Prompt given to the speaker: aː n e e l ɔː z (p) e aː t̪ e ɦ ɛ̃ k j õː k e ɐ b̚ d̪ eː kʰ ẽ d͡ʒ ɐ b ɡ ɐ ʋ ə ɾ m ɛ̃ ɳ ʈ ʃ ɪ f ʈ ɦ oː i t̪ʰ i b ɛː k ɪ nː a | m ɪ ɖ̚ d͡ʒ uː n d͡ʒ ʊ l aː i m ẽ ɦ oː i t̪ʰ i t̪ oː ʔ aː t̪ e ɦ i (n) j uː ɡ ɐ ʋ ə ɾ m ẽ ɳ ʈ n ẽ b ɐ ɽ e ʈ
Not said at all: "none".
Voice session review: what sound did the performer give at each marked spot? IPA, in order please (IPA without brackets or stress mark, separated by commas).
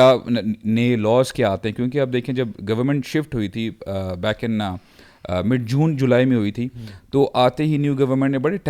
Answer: k, n